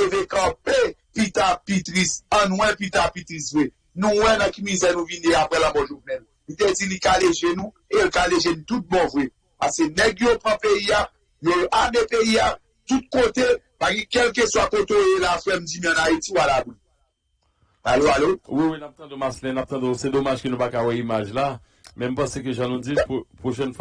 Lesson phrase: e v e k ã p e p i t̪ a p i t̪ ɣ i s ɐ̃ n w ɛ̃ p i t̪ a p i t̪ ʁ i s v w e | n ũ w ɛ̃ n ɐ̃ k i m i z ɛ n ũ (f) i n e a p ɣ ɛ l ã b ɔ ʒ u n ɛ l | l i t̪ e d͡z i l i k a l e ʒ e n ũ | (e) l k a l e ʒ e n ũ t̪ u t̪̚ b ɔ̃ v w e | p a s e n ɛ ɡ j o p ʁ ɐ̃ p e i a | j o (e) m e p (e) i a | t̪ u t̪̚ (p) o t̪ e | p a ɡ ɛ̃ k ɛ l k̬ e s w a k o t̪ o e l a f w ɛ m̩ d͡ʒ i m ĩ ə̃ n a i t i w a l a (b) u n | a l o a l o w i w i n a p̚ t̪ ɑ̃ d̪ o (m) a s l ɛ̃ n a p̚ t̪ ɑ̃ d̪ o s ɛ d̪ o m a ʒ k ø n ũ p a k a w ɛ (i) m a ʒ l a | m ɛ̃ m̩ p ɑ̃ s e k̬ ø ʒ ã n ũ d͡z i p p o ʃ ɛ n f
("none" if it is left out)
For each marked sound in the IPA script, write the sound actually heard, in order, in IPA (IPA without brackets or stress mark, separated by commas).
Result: v, e, a, e, k, b, m, i